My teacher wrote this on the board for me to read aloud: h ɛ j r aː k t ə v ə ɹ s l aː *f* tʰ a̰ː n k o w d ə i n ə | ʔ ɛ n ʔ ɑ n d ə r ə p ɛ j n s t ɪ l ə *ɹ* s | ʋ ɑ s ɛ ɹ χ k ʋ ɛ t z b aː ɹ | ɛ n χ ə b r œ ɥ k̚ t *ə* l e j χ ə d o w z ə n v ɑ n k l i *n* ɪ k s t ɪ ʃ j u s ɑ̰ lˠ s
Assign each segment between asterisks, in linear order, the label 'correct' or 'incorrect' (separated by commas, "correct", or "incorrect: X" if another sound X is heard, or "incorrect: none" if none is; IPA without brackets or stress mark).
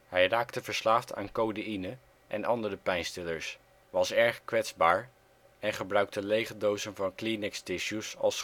correct, correct, correct, correct